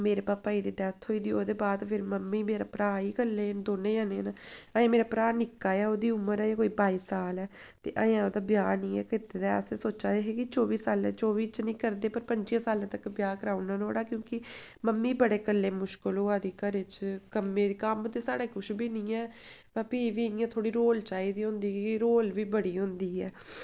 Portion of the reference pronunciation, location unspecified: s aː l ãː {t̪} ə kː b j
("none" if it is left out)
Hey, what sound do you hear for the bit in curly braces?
t̪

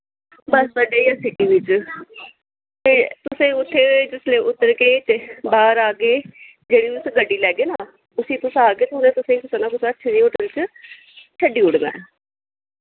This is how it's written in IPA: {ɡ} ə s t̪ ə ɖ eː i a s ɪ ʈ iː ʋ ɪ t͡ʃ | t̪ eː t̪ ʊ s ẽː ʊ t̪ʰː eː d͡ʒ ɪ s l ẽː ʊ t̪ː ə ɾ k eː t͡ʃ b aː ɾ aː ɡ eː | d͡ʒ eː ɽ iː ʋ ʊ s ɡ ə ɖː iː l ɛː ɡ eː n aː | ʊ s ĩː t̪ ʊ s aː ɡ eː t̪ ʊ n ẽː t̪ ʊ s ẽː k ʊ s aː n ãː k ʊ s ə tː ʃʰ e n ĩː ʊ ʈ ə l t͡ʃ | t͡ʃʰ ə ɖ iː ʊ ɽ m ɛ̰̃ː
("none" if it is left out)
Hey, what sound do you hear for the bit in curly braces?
b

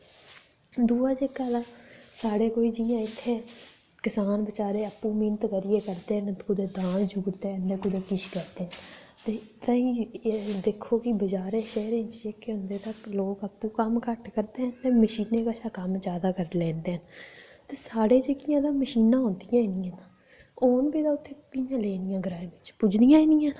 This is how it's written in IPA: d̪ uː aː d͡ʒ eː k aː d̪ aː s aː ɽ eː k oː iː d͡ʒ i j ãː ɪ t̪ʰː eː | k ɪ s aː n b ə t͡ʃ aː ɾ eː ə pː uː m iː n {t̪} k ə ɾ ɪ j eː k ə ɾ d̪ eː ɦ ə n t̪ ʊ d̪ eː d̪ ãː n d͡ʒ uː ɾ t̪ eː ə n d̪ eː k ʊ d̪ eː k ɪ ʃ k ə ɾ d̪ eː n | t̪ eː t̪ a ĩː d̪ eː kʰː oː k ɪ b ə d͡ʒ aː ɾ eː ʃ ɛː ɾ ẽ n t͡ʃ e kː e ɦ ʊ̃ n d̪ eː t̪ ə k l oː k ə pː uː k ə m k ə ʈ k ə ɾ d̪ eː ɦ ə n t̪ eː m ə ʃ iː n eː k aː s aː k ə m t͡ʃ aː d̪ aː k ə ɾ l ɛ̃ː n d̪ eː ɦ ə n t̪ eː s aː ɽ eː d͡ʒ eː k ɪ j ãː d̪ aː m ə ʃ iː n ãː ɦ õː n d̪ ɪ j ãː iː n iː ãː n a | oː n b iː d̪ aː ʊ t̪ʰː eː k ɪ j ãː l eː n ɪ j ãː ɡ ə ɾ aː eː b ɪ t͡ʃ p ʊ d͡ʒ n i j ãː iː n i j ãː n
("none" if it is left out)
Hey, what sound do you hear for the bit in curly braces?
t̪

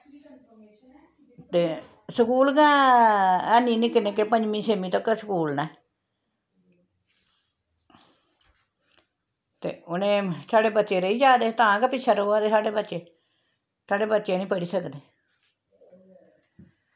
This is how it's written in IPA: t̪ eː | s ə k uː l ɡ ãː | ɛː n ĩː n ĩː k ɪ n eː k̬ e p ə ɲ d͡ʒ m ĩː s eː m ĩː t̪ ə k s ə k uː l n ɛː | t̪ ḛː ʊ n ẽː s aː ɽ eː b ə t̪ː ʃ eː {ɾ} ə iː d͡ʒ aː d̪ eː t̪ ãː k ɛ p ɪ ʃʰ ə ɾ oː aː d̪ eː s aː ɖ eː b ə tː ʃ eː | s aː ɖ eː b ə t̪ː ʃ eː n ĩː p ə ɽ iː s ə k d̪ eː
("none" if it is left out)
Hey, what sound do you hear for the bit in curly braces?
ɾ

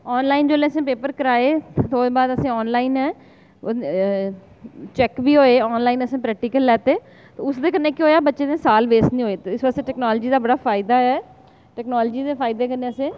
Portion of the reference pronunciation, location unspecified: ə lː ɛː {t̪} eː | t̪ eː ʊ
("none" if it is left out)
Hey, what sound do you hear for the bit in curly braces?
t̪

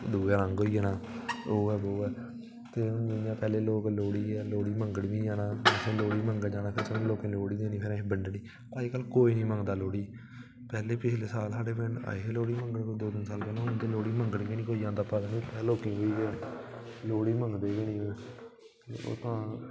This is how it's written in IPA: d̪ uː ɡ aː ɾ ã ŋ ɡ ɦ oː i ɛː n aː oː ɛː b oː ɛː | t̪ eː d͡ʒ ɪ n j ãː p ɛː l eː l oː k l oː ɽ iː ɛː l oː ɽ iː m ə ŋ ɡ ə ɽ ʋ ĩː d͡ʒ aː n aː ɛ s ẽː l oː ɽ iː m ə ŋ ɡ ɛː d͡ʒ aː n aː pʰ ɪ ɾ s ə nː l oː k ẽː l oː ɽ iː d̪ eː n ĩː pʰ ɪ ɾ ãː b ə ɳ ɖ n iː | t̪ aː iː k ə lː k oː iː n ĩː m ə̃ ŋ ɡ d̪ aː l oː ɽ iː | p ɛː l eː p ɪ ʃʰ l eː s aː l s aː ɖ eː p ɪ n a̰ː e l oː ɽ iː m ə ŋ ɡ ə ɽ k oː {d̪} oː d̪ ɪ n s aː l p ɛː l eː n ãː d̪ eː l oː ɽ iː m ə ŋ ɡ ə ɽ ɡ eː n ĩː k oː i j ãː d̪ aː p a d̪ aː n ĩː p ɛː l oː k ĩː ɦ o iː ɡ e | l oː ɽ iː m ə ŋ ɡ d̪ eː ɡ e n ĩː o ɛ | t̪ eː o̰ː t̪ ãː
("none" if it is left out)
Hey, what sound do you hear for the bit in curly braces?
d̪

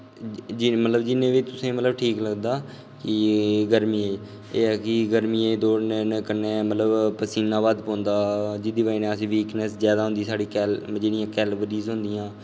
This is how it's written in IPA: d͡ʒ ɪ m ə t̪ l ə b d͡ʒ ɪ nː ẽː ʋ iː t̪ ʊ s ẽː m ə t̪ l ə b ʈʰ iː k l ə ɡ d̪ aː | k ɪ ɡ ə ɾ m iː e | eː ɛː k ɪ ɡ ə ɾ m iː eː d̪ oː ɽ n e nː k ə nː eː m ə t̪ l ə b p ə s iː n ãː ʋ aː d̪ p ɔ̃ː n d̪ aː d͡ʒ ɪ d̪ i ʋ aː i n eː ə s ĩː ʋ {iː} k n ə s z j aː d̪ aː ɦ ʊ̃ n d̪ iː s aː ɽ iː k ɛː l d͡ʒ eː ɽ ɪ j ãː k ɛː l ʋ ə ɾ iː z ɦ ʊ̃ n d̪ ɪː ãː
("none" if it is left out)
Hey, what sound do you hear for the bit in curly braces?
iː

